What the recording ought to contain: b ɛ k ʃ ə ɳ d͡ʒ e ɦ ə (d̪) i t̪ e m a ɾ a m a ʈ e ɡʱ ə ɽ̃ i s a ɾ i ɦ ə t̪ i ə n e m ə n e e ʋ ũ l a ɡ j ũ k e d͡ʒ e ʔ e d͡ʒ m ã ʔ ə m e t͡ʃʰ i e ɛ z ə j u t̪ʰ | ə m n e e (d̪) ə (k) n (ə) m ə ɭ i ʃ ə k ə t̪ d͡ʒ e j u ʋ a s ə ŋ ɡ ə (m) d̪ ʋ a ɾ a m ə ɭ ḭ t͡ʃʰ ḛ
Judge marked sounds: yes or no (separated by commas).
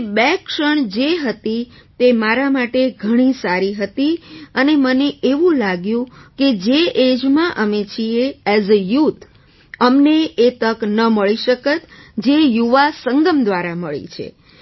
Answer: no, no, yes, yes, yes